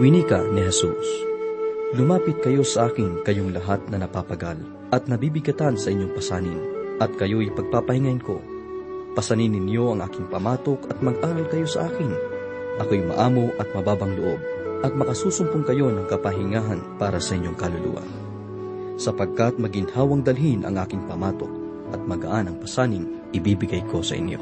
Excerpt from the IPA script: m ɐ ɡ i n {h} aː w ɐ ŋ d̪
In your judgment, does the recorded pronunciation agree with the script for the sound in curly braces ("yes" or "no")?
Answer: yes